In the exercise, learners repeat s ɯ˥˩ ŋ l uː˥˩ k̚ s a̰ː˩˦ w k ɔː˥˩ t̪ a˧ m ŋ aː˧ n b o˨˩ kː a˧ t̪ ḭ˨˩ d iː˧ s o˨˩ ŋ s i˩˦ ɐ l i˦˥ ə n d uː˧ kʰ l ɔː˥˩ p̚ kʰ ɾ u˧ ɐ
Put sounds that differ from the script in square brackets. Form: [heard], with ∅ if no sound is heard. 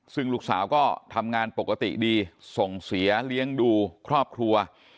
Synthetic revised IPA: s ɯ˥˩ ŋ l uː˥˩ k̚ s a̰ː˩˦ w k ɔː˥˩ [t̪ʰ] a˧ m ŋ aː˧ n [p] o˨˩ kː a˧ t̪ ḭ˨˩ d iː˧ s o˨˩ ŋ s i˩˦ ɐ l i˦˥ ə [ŋ] d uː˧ kʰ [ɾ] ɔː˥˩ p̚ kʰ ɾ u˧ ɐ